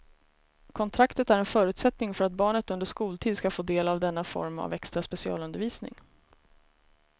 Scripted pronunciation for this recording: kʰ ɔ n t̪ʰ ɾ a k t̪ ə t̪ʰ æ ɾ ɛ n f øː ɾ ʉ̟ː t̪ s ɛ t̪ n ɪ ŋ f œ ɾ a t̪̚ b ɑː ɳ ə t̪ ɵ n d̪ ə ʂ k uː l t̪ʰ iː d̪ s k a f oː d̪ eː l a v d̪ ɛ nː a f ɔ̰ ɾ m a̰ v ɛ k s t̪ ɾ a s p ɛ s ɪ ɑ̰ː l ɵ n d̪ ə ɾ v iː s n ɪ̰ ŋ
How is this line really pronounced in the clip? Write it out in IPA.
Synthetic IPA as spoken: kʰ ɔ n t̪ʰ ɾ a k t̪ ə t̪ æ ɾ ɛ n f œː ɾ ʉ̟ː t̪ s ɛ t̪ n ɪ ŋ f œ ɾ a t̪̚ b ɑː ɳ ə t̪ ɵ n d̪ ə ʂ k uː l t̪ʰ iː d̪ s k a f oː d̪ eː l a v d̪ ɛ nː a f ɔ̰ ɾ m a̰ v ɛ k s t̪ ɾ a s p ɛ s ɪ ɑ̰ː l ɵ n d̪ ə ɾ v iː s n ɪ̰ ŋ